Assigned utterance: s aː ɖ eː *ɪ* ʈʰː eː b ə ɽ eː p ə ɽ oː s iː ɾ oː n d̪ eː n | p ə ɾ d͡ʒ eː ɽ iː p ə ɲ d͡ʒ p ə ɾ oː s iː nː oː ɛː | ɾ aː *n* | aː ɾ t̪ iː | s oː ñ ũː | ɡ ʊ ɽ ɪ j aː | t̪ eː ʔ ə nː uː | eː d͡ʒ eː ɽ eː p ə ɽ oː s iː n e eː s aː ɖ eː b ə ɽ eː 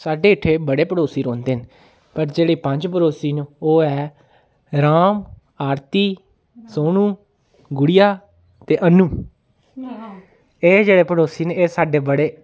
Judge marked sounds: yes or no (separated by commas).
yes, no